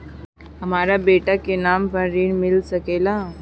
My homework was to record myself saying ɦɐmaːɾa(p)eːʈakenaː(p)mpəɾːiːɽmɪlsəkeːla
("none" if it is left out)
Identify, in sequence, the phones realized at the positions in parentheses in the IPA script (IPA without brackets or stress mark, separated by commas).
b, none